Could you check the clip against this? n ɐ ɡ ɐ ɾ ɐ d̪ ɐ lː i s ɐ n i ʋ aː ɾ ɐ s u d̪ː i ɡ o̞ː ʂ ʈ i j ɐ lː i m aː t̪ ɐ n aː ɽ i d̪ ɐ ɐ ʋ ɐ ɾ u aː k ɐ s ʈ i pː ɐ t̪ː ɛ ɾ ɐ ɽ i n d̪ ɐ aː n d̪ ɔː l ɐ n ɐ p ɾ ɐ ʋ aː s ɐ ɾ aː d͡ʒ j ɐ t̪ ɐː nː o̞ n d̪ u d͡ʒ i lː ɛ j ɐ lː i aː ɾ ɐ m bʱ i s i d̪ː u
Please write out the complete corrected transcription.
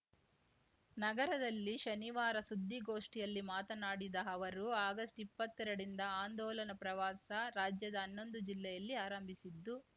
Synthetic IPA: n ɐ ɡ ɐ ɾ ɐ d̪ ɐ lː i ʃ ɐ n i ʋ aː ɾ ɐ s u d̪ː i ɡ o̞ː ʂ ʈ i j ɐ lː i m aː t̪ ɐ n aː ɽ i d̪ ɐ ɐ ʋ ɐ ɾ u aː ɡ ɐ s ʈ i pː ɐ t̪ː ɛ ɾ ɐ ɽ i n d̪ ɐ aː n d̪ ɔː l ɐ n ɐ p ɾ ɐ ʋ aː s ɐ ɾ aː d͡ʒ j ɐ d̪ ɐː nː o̞ n d̪ u d͡ʒ i lː ɛ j ɐ lː i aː ɾ ɐ m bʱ i s i d̪ː u